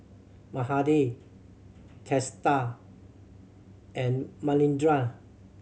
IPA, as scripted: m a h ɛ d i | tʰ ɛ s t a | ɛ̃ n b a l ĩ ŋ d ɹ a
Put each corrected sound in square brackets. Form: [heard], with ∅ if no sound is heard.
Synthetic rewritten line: m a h [a] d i | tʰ ɛ s t a | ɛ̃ n [m] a l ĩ [n] d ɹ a